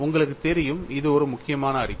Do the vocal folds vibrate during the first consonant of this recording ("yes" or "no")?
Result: yes